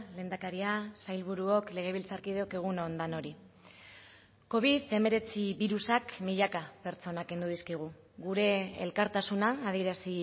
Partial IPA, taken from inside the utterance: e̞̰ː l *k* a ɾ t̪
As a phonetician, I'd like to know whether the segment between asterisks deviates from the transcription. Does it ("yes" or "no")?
no